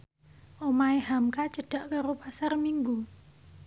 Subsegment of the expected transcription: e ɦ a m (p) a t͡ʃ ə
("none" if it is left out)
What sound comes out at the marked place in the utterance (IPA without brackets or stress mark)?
k